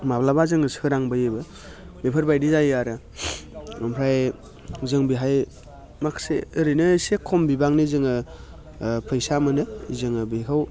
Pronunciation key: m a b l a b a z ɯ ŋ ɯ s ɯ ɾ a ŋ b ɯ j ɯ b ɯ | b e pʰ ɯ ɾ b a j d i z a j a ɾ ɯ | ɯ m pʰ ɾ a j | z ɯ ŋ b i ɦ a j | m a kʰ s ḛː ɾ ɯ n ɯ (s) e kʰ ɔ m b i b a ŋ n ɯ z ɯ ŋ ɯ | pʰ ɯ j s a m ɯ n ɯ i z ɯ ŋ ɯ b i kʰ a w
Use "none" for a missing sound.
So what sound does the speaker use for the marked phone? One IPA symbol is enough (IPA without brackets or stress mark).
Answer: s